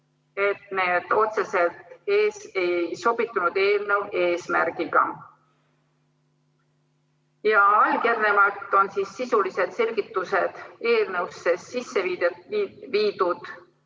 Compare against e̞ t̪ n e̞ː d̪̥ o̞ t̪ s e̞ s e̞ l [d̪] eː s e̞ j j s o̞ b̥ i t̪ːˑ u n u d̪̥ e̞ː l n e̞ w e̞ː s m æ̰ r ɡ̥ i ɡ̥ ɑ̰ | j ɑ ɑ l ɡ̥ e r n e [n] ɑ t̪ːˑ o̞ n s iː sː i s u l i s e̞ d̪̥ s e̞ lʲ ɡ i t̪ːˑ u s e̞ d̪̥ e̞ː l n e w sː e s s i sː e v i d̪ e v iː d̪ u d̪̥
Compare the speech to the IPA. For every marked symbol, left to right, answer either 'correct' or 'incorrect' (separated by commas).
incorrect, incorrect